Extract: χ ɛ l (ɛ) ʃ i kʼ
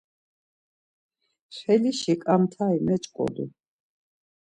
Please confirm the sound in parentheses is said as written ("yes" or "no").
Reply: no